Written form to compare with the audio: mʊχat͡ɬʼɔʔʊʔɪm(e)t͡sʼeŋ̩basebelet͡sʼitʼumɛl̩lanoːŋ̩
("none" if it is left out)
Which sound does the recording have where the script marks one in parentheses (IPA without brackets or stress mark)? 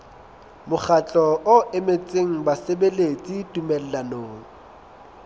e